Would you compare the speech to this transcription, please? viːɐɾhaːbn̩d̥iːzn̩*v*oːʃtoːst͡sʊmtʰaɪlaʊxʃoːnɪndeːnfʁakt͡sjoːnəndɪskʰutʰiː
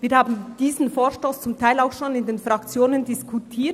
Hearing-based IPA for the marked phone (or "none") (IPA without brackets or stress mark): f